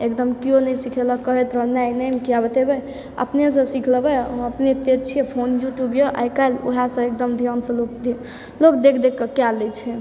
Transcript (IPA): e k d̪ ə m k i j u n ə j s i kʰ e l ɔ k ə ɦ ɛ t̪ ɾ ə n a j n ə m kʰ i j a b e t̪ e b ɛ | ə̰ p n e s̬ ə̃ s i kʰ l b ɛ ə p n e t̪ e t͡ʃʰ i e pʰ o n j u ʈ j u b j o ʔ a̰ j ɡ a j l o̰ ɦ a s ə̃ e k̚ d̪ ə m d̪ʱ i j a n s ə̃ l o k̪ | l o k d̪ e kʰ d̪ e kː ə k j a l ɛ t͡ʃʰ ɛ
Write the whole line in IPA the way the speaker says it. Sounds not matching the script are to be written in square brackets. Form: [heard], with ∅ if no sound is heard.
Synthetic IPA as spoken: e k d̪ ə m k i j [o] n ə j s i kʰ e l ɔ k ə ɦ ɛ t̪ ɾ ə n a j n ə m [k] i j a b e t̪ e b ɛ | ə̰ p n e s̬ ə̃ s i kʰ l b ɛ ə p n e t̪ e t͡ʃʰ i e pʰ o n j u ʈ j u b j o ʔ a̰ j [k] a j l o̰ ɦ a s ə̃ e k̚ d̪ ə m d̪ʱ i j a n s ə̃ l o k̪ | l o k d̪ e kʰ d̪ e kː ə k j a l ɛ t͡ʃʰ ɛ